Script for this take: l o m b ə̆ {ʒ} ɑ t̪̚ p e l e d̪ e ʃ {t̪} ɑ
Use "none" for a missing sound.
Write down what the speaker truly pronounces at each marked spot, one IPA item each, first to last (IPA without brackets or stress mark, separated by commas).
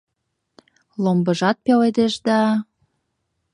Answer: ʒ, d̪